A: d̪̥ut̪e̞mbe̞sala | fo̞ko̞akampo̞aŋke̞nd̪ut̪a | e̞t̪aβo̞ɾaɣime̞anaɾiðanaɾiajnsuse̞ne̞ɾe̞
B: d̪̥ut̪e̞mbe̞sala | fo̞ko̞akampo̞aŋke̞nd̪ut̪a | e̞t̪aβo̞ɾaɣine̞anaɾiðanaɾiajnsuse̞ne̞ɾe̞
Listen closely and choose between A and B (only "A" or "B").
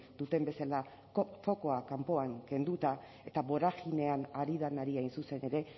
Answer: B